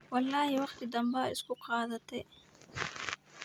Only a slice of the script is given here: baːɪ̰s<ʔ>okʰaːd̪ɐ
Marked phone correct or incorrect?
incorrect